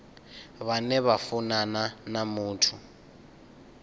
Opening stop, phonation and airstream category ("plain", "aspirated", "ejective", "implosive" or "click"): aspirated